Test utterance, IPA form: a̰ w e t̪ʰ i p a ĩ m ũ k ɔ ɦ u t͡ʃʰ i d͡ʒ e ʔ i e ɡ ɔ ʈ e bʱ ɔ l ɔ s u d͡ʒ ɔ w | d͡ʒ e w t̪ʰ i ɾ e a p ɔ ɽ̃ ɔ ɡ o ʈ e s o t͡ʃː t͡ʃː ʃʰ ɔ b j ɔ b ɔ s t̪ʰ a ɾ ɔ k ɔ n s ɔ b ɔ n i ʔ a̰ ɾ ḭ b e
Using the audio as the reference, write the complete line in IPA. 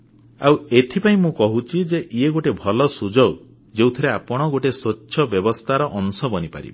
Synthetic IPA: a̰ w e t̪ʰ i p a ĩ m ũ k ɔ ɦ u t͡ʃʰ i d͡ʒ e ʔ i e ɡ o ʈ e bʱ ɔ l ɔ s u d͡ʒ ɔ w | d͡ʒ e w t̪ʰ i ɾ e a p ɔ ɽ̃ ɔ ɡ o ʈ e s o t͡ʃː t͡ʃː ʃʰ ɔ b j ɔ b ɔ s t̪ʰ a ɾ ɔ ʔ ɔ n s ɔ b ɔ n i p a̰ ɾ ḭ b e